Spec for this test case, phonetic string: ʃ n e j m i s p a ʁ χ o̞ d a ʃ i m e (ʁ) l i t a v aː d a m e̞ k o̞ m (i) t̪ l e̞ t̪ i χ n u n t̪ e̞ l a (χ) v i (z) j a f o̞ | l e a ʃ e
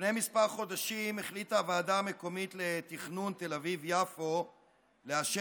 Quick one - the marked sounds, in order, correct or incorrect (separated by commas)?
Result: incorrect, correct, incorrect, incorrect